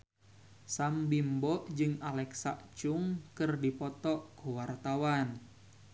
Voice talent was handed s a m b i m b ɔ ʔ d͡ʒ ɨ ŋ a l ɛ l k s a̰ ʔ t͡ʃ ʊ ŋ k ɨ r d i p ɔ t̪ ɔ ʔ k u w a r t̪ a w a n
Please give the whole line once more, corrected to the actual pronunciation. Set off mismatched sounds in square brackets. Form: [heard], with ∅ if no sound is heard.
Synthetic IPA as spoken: s a m b i m b ɔ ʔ d͡ʒ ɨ ŋ a l ɛ [∅] k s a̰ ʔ t͡ʃ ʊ ŋ k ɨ r d i p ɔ t̪ ɔ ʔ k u w a r t̪ a w a n